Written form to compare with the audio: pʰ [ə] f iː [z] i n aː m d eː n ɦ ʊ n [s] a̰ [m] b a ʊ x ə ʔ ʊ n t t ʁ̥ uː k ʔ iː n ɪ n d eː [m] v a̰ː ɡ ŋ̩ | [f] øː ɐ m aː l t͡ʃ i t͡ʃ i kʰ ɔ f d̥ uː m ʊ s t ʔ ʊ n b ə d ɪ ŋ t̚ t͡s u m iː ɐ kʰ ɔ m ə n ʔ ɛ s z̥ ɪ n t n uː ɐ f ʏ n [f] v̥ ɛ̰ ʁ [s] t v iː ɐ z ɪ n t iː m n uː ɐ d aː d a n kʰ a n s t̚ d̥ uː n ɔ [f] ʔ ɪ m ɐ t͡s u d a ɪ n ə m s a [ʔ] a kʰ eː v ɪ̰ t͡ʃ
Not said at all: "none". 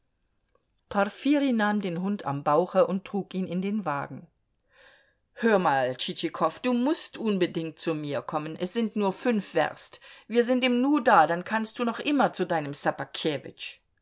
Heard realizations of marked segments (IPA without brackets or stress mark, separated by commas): a, ʁ, t, m, n, h, f, s, χ, p